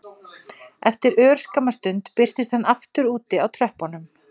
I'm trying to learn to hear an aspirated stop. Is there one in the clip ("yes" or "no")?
yes